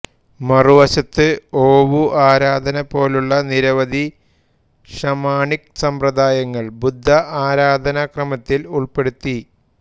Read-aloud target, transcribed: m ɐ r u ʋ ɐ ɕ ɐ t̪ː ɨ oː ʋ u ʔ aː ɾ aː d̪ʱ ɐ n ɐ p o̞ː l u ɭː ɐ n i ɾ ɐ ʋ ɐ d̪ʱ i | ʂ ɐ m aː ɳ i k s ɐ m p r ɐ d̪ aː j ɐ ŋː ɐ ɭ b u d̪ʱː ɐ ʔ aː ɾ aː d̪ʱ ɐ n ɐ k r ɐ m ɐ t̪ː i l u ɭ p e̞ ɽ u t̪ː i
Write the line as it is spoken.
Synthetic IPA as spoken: m ɐ r u ʋ ɐ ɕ ɐ t̪ː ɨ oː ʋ u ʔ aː ɾ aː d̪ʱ ɐ n ɐ p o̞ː l u ɭː ɐ n i ɾ ɐ ʋ ɐ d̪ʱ i | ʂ ɐ m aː ɳ i k s ɐ m p r ɐ d̪ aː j ɐ ŋː ɐ ɭ b u d̪ʱː ɐ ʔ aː ɾ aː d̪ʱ ɐ n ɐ k r ɐ m ɐ t̪ː i l u ɭ p e̞ ɽ u t̪ː i